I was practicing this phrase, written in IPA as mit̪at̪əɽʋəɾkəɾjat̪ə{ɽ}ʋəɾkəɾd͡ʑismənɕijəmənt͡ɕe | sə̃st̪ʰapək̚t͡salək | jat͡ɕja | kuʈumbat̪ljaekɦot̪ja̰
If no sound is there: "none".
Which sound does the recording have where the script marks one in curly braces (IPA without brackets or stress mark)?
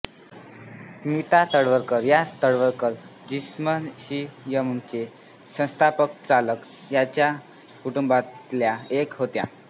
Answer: ɽ